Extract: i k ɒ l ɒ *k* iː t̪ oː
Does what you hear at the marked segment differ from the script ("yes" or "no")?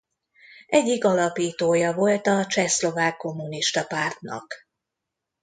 yes